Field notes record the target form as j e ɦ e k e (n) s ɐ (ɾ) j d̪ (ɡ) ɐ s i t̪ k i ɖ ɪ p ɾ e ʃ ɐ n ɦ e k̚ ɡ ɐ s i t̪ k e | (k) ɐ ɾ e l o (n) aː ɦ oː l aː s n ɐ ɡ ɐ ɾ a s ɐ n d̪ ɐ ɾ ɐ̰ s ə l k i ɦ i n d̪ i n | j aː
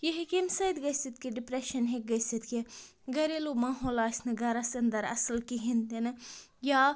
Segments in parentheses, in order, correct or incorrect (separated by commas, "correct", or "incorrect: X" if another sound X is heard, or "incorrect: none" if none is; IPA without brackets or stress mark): incorrect: m, incorrect: none, correct, incorrect: ɡ, incorrect: m